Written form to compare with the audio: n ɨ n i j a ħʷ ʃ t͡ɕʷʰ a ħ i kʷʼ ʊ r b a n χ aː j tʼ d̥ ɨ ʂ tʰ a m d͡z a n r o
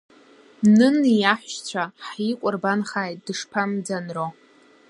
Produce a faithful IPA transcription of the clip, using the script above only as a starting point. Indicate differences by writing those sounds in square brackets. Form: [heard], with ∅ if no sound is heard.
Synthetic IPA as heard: n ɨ n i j a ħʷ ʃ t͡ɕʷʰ a ħ i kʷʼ ʊ r b a n χ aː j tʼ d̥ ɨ ʂ [pʰ] a m d͡z a n r o